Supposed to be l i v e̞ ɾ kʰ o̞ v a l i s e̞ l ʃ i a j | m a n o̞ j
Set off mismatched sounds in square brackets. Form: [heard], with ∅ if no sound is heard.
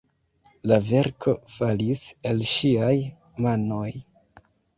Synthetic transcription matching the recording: l [a] v e̞ ɾ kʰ o̞ [f] a l i s e̞ l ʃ i a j | m a n o̞ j